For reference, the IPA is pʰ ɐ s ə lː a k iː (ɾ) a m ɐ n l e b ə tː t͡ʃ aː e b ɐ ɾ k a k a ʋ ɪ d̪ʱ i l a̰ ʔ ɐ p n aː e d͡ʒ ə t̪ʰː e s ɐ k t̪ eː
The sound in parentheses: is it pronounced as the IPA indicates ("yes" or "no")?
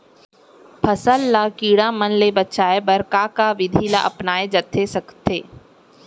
no